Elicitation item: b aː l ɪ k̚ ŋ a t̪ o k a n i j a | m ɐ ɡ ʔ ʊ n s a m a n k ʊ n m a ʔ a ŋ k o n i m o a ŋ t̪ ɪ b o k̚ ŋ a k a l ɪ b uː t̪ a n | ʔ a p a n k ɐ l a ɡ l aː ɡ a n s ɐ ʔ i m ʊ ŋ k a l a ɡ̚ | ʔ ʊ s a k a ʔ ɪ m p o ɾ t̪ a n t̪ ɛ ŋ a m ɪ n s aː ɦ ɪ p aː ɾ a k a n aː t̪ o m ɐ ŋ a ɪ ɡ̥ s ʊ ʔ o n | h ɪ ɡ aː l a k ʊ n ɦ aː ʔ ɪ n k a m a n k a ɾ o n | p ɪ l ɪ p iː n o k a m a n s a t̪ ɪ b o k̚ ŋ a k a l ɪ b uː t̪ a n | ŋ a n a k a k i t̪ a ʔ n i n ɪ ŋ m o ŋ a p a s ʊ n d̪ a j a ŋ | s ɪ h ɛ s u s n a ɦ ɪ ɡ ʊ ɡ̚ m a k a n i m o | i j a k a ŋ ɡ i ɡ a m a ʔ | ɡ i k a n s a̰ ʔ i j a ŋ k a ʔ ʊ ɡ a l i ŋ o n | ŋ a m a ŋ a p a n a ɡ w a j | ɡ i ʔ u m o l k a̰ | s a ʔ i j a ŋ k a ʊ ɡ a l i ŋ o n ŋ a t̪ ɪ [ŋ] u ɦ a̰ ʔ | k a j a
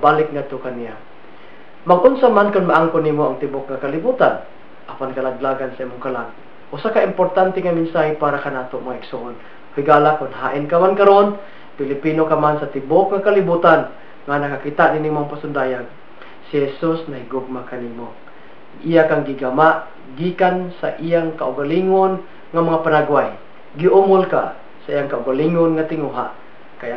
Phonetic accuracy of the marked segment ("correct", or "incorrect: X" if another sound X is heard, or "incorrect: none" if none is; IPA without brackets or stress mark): correct